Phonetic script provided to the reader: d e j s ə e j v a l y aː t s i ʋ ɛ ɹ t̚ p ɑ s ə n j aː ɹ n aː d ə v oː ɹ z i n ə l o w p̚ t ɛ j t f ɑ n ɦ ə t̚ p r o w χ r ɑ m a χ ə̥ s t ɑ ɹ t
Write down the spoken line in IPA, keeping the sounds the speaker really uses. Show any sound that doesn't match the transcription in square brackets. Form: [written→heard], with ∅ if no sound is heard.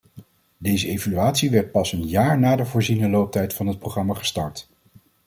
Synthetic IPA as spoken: d e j [s→z] ə e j v a l y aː t s i ʋ ɛ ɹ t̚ p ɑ s ə n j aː ɹ n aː d ə v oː ɹ z i n ə l o w p̚ t ɛ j t f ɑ n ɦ ə t̚ p r o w χ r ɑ m a χ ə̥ s t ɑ ɹ t

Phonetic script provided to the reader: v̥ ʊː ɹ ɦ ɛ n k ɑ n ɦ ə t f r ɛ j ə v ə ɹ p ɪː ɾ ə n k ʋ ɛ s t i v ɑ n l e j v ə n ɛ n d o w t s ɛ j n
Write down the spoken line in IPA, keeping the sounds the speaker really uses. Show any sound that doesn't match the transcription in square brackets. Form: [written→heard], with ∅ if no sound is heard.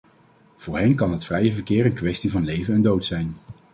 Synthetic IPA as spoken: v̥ ʊː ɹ ɦ ɛ n k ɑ n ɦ ə t f r ɛ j ə v ə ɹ [p→k] ɪː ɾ ə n k ʋ ɛ s t i v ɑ n l e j v ə n ɛ n d o w t s ɛ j n

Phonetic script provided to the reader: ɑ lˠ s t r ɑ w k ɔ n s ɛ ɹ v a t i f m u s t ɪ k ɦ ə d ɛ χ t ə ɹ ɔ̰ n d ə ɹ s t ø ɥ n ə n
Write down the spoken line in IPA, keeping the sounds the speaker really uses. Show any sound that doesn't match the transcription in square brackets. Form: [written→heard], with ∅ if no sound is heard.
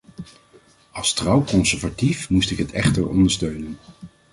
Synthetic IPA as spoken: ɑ lˠ s t r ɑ w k ɔ n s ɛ ɹ v a t i f m u s t ɪ k ɦ ə [d→t] ɛ χ t ə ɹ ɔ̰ n d ə ɹ s t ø ɥ n ə n

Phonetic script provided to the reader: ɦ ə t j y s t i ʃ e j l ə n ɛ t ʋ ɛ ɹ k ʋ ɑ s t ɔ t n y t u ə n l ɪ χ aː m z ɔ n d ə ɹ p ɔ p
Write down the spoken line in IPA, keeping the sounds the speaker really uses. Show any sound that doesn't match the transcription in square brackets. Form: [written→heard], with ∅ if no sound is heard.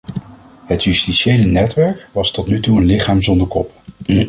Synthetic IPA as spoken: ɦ ə t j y s t i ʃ e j l ə n ɛ t ʋ ɛ ɹ k ʋ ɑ s t ɔ t n y t u ə n l ɪ χ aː m z ɔ n d ə ɹ [p→k] ɔ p

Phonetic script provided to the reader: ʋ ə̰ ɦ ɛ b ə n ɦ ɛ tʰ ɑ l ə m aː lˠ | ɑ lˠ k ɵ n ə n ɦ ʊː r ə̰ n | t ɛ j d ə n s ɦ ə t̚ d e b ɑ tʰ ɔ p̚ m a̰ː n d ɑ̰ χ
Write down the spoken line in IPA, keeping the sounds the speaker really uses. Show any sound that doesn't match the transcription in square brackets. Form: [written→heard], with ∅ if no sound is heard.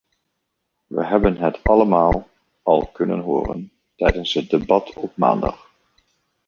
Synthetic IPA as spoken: ʋ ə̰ ɦ ɛ b ə n ɦ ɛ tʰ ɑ l ə m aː lˠ | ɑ lˠ k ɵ n ə n ɦ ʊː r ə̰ n | t ɛ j d ə n s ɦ ə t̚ d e b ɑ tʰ ɔ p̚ m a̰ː n d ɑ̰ χ

